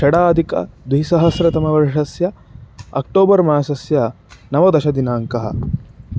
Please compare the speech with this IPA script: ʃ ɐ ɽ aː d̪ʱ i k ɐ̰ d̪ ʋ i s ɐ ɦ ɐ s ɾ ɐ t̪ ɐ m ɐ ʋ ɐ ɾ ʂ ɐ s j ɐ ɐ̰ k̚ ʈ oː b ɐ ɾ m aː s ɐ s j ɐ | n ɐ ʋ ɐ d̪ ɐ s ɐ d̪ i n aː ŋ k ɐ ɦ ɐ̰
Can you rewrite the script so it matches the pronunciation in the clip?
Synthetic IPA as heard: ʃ ɐ ɽ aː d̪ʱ i k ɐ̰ d̪ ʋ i s ɐ ɦ ɐ s ɾ ɐ t̪ ɐ m ɐ ʋ ɐ ɾ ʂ ɐ s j ɐ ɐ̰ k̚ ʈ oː b ɐ ɾ m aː s ɐ s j ɐ | n ɐ ʋ ɐ d̪ ɐ ʃ ɐ d̪ i n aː ŋ k ɐ ɦ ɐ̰